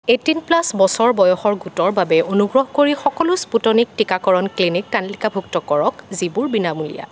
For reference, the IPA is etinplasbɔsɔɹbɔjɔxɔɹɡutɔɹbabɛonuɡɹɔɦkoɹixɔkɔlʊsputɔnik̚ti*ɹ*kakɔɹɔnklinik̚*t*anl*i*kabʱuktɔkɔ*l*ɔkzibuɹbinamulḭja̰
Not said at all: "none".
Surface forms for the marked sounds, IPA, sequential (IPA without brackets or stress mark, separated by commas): none, t, i, ɹ